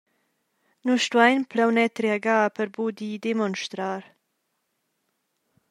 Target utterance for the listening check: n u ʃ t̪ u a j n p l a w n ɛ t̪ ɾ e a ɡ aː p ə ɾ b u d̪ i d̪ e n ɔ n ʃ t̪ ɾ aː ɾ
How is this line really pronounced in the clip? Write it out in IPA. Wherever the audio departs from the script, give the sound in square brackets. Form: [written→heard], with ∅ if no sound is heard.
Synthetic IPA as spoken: n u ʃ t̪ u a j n p l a w n ɛ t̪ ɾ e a ɡ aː p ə ɾ b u d̪ i d̪ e [n→m] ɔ n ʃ t̪ ɾ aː ɾ